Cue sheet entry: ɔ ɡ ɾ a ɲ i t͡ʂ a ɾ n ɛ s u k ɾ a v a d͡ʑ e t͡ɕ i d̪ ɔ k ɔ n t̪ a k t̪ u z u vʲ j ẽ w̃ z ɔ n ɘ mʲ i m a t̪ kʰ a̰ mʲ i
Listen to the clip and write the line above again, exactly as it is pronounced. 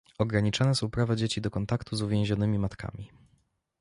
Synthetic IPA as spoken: ɔ ɡ ɾ a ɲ i t͡ʂ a n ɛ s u p ɾ a v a d͡ʑ e t͡ɕ i d̪ ɔ k ɔ n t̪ a k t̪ u z u vʲ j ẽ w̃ ʑ ɔ n ɘ mʲ i m a t̪ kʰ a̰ mʲ i

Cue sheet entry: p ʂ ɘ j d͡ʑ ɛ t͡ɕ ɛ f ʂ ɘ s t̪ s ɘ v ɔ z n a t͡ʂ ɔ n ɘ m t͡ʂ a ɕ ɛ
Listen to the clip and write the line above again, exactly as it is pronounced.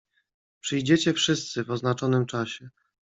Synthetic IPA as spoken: p ʂ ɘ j d͡ʑ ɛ t͡ɕ ɛ f ʂ ɘ s t̪ s ɘ v ɔ z n a t͡ʂ ɔ n ɘ m t͡ʂ a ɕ ɛ

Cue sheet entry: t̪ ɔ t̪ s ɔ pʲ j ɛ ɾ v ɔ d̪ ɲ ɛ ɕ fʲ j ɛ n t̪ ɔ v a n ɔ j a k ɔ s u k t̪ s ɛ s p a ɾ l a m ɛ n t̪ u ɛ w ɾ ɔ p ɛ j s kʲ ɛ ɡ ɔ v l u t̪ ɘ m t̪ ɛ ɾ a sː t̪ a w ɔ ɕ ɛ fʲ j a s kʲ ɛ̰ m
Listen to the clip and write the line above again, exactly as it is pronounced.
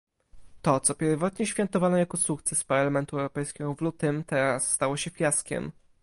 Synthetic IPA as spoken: t̪ ɔ t̪ s ɔ pʲ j ɛ ɾ v ɔ t̪ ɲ ɛ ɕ fʲ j ɛ n t̪ ɔ v a n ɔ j a k ɔ s u k t̪ s ɛ s p a ɾ l a m ɛ n t̪ u ɛ w ɾ ɔ p ɛ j s kʲ ɛ ɡ ɔ v l u t̪ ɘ m t̪ ɛ ɾ a sː t̪ a w ɔ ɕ ɛ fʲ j a s kʲ ɛ̰ m

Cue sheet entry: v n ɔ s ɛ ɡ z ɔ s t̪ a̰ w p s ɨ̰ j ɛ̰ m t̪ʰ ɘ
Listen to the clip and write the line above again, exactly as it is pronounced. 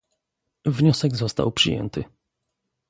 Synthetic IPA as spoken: v ɲ ɔ s ɛ ɡ z ɔ s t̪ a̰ w p ʂ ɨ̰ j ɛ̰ n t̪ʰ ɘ

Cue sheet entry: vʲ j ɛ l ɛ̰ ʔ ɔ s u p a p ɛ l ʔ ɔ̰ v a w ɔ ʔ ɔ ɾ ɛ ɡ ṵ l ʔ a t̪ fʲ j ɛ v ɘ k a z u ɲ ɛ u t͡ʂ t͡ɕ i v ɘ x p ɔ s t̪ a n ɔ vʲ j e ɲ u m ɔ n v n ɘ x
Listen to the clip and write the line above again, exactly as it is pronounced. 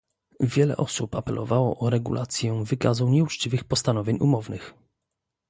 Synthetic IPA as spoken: vʲ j ɛ l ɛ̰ ʔ ɔ s u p a p ɛ l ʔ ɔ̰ v a w ɔ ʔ ɔ ɾ ɛ ɡ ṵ l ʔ a t̪ sʲ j ɛ v ɘ k a z u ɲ ɛ u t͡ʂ t͡ɕ i v ɘ x p ɔ s t̪ a n ɔ vʲ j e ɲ u m ɔ v n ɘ x

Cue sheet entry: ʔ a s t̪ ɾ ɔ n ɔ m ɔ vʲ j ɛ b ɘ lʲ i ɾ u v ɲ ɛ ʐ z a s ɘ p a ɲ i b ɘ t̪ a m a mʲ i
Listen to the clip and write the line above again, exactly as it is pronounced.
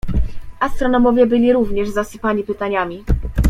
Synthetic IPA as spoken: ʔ a s t̪ ɾ ɔ n ɔ m ɔ vʲ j ɛ b ɘ lʲ i ɾ u v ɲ ɛ ʐ z a s ɘ p a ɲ i p ɘ t̪ a ɲ a mʲ i

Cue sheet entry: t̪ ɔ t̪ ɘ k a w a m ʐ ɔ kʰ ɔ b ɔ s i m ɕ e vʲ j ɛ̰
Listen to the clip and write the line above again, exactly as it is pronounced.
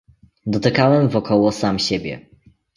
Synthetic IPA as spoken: d̪ ɔ t̪ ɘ k a w ɛ m v ɔ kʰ ɔ w ɔ s a m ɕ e bʲ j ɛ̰

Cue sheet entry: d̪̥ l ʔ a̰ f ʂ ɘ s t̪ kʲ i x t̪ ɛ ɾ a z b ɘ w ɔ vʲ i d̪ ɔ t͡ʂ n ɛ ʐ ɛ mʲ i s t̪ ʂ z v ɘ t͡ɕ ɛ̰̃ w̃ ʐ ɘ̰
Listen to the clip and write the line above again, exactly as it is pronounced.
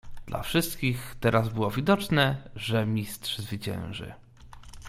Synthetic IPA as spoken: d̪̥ l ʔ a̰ f ʂ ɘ s t̪ kʲ i x t̪ ɛ ɾ a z b ɘ w ɔ vʲ i d̪ ɔ t͡ʂ n ɛ ʐ ɛ mʲ i s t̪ ʂ z v ɘ t͡ɕ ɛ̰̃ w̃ ʐ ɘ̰

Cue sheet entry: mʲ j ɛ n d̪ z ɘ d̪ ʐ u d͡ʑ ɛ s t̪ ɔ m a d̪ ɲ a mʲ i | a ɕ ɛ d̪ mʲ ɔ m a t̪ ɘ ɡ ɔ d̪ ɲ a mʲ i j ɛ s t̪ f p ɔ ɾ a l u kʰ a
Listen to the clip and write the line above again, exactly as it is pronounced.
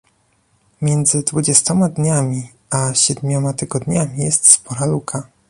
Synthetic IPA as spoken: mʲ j ɛ n d̪ z ɘ d̪ v u d͡ʑ ɛ s t̪ ɔ m a d̪ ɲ a mʲ i | a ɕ ɛ d̪ mʲ ɔ m a t̪ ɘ ɡ ɔ d̪ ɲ a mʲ i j ɛ s t̪ s p ɔ ɾ a l u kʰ a

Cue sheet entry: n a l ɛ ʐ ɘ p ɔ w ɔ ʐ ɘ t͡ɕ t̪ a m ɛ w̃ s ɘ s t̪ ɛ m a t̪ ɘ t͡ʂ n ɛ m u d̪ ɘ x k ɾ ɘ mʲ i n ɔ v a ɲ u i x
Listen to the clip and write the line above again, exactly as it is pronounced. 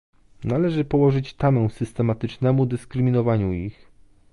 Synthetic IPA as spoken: n a l ɛ ʐ ɘ p ɔ w ɔ ʐ ɘ t͡ɕ t̪ a m ɛ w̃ s ɘ s t̪ ɛ m a t̪ ɘ t͡ʂ n ɛ m u d̪ ɘ s k ɾ ɘ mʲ i n ɔ v a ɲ u i x

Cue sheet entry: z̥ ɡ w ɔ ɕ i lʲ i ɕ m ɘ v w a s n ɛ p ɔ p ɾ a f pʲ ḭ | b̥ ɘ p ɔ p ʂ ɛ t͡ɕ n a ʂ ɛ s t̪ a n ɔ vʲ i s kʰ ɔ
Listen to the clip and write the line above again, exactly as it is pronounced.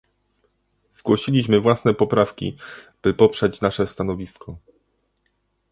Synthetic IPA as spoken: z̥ ɡ w ɔ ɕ i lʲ i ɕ m ɘ v w a s n ɛ p ɔ p ɾ a f kʲ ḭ | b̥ ɘ p ɔ p ʂ ɛ t͡ɕ n a ʂ ɛ s t̪ a n ɔ vʲ i s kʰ ɔ

